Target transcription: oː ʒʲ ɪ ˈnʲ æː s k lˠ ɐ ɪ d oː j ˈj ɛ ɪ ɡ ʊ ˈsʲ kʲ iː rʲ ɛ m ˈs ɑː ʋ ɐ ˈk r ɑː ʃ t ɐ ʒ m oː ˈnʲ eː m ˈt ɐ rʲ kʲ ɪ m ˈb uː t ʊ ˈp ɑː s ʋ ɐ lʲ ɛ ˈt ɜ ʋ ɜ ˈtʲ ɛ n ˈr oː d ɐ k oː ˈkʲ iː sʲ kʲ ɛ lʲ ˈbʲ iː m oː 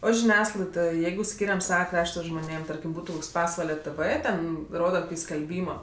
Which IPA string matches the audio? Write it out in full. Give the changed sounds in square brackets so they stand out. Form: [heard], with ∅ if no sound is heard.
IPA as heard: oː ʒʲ ɪ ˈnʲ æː s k lˠ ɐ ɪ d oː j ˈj ɛ ɪ ɡ ʊ ˈsʲ kʲ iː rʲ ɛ m ˈs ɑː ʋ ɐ ˈk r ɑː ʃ t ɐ ʒ m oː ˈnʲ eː m ˈt ɐ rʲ kʲ ɪ m ˈb uː t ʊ ˈp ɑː s ʋ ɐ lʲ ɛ ˈt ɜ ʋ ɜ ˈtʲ ɛ n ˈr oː d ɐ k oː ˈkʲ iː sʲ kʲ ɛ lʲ ˈbʲ iː m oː

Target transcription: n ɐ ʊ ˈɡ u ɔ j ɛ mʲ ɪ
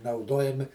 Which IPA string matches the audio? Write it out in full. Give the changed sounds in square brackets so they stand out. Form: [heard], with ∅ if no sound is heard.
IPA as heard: n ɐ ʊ [ˈd] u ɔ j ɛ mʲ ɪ

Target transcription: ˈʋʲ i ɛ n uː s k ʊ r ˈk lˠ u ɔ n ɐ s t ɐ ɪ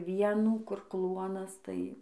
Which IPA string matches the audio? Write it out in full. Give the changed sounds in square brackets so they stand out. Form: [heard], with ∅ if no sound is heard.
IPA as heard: ˈʋʲ i ɛ n uː [∅] k ʊ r ˈk lˠ u ɔ n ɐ s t ɐ ɪ

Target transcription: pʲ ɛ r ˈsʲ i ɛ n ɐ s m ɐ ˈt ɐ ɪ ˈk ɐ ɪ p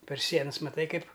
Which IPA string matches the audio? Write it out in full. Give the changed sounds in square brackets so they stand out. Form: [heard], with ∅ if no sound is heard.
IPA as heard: pʲ ɛ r ˈsʲ i ɛ n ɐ s m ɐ ˈt ɐ ɪ ˈk ɐ ɪ p

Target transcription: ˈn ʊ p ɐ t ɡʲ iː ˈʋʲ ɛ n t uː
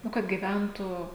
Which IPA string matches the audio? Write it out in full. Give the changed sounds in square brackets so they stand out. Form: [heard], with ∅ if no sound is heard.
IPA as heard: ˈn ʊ [k] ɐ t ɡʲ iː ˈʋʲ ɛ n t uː

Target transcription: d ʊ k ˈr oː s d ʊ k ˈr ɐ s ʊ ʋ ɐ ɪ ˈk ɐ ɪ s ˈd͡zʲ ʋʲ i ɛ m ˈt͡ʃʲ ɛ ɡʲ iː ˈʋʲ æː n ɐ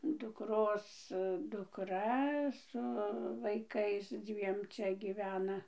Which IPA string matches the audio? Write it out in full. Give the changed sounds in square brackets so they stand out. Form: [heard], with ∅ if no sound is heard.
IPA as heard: d ʊ k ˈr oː s d ʊ k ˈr ɐ s ʊ ʋ ɐ ɪ ˈk ɐ ɪ s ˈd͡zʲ ʋʲ i ɛ m ˈt͡ʃʲ ɛ ɡʲ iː ˈʋʲ æː n ɐ

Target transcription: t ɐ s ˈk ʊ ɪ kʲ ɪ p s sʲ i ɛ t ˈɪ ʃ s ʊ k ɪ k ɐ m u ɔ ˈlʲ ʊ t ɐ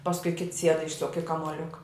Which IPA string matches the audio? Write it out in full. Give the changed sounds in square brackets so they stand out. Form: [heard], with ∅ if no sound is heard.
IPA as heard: [p] ɐ s ˈk ʊ ɪ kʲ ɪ [t] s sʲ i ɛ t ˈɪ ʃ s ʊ k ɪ k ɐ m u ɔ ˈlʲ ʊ [k] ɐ

